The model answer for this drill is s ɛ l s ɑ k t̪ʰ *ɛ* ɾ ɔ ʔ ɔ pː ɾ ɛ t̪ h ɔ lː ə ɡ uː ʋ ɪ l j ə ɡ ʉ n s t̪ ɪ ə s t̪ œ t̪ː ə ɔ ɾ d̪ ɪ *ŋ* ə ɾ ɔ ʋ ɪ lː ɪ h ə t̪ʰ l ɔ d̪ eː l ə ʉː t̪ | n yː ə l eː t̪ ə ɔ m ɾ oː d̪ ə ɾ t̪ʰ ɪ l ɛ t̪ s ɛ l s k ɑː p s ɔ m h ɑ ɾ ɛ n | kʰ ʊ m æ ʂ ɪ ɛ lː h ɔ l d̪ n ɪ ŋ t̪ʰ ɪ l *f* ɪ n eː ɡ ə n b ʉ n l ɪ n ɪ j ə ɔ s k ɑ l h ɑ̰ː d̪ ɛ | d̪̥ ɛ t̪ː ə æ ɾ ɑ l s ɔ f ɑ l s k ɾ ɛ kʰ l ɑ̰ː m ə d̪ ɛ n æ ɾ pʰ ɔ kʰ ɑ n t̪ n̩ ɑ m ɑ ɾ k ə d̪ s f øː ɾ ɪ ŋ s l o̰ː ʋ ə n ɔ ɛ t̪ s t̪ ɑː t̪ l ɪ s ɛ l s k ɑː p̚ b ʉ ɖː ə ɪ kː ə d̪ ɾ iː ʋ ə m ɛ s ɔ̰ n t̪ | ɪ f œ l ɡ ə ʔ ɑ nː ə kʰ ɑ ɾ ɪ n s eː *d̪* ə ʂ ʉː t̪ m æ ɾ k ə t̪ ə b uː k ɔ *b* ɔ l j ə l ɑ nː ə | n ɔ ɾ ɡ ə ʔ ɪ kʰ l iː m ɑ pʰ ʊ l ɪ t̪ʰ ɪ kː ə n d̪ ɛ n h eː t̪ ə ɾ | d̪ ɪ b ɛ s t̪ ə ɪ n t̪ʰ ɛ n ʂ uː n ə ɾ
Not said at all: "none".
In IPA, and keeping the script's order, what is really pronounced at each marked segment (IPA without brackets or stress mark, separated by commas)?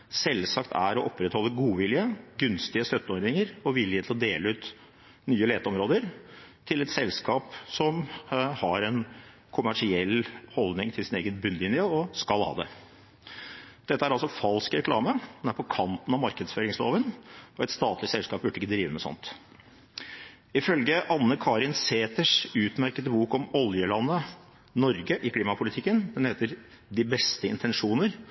æ, ŋ, s, t̪, m